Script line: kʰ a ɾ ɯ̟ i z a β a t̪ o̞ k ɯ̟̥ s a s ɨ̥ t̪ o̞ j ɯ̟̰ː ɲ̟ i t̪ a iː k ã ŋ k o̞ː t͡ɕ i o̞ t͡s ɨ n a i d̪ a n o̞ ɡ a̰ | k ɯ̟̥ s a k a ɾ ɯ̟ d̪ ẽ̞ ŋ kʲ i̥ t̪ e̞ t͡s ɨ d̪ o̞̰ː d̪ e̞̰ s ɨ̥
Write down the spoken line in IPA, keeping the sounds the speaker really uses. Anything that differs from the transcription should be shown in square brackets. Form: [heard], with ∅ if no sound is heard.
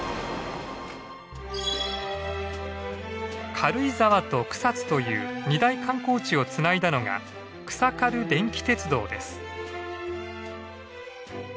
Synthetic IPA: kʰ a ɾ ɯ̟ i z a β a t̪ o̞ k ɯ̟̥ s a [t͡s] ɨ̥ t̪ o̞ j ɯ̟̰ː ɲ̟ i [d̪] a [i] k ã ŋ k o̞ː t͡ɕ i o̞ t͡s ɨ n a i d̪ a n o̞ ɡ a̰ | k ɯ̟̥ s a k a ɾ ɯ̟ d̪ ẽ̞ ŋ kʲ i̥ t̪ e̞ t͡s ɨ d̪ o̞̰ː d̪ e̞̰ s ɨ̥